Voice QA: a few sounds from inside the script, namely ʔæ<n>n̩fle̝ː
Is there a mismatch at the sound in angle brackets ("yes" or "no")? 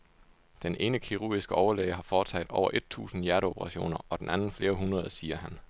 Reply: no